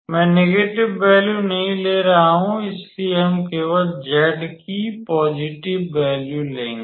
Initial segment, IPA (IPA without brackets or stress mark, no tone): m